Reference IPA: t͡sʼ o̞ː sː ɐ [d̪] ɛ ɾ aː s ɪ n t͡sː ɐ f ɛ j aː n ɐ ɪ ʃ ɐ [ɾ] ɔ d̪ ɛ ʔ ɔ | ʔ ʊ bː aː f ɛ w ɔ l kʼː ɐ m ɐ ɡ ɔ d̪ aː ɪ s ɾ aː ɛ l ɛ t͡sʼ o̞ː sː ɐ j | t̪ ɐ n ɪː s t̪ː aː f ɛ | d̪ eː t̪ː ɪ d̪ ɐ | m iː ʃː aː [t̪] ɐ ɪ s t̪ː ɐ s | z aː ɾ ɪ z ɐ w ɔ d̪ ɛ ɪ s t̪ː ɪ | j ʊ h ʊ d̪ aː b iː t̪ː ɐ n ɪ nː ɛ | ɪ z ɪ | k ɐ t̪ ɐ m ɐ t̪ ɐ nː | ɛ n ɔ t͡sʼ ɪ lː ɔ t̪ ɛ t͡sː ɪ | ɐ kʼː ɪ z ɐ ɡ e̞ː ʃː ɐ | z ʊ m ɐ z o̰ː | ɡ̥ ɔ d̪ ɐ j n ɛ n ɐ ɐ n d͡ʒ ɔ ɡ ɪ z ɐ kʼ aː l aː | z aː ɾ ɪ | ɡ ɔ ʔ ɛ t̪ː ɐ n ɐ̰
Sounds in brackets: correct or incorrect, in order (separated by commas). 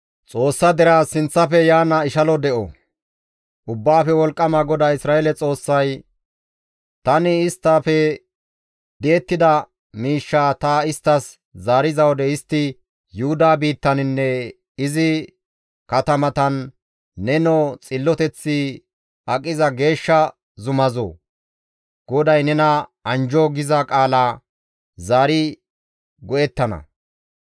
correct, incorrect, correct